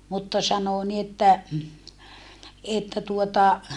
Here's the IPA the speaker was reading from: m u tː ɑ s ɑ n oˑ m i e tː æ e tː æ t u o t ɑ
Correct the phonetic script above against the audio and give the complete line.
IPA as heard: m u tː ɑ s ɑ n oˑ n i e tː æ e tː æ t u o t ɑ